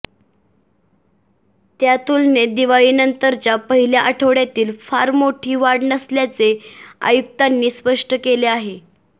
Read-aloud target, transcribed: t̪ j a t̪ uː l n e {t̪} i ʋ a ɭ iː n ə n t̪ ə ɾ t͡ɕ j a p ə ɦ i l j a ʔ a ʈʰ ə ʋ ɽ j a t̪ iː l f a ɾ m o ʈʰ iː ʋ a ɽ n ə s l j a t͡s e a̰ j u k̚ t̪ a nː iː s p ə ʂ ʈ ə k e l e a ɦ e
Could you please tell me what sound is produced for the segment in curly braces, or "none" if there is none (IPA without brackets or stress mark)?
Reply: d̪